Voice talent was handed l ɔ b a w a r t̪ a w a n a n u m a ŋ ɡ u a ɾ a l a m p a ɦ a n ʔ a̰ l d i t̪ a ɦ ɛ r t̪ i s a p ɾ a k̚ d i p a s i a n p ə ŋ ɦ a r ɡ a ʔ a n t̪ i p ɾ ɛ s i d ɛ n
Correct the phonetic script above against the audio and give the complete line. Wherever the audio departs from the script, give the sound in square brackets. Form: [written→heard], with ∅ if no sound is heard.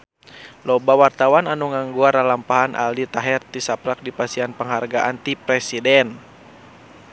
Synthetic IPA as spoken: l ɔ b a w a r t̪ a w a n a n u [m→ŋ] a ŋ ɡ u a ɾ a l a m p a ɦ a n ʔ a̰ l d i t̪ a ɦ ɛ r t̪ i s a p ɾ a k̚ d i p a s i a n p ə ŋ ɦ a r ɡ a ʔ a n t̪ i p ɾ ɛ s i d ɛ n